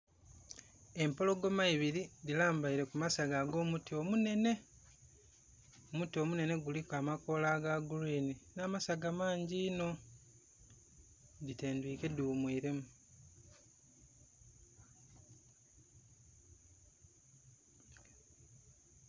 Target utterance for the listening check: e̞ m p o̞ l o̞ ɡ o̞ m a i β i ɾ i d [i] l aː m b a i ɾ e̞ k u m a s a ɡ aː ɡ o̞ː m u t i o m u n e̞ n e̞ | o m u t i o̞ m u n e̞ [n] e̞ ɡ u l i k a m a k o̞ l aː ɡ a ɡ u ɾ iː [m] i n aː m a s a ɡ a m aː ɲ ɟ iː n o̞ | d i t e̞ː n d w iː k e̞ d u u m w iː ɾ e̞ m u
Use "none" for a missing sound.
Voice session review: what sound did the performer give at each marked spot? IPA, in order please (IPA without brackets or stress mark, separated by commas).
i, n, n